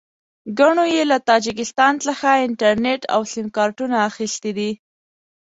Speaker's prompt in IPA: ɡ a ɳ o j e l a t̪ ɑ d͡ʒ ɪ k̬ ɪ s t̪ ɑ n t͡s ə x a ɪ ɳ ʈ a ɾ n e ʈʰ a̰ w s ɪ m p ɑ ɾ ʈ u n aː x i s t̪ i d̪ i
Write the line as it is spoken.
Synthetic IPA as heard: ɡ a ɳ o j e l a t̪ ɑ d͡ʒ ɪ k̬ ɪ s t̪ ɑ n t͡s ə x a ɪ ɳ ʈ a ɾ n e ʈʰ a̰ w s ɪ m k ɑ ɾ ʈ u n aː x i s t̪ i d̪ i